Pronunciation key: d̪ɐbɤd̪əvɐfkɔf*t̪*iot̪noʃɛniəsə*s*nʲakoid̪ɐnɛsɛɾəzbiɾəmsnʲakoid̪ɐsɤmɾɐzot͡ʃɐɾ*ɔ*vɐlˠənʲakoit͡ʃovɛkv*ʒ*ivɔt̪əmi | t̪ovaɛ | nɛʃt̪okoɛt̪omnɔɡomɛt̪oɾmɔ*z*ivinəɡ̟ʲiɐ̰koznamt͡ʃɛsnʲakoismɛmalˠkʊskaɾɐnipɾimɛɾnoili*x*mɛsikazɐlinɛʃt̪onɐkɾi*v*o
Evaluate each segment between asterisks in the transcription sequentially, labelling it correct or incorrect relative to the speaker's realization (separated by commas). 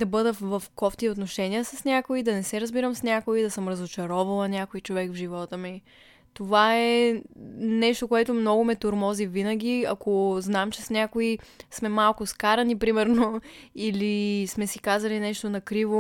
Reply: correct, correct, correct, correct, correct, incorrect, correct